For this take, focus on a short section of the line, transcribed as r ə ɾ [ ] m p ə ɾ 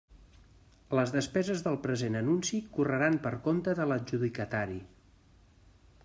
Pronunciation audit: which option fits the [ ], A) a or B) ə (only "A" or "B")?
A